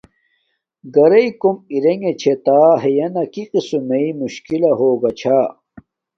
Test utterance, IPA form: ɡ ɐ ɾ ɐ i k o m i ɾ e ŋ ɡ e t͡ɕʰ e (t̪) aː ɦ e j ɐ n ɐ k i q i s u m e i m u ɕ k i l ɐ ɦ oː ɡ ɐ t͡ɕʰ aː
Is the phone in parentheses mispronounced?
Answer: no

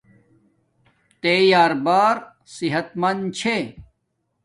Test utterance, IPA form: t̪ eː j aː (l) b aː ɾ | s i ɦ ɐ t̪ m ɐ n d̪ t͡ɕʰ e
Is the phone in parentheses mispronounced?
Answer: yes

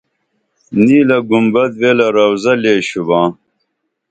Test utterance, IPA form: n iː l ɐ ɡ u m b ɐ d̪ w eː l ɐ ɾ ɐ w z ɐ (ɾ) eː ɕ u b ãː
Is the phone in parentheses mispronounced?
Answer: yes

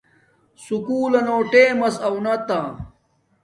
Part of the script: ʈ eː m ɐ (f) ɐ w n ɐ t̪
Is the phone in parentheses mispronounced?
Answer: yes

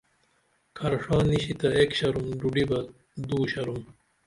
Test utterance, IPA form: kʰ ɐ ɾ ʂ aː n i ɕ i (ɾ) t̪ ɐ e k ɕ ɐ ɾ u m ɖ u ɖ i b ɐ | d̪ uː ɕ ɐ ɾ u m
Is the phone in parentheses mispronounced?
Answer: yes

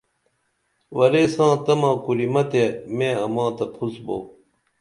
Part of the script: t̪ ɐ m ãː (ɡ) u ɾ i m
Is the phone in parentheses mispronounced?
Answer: yes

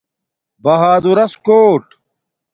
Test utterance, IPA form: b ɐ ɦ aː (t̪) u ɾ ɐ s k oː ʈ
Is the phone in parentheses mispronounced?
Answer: yes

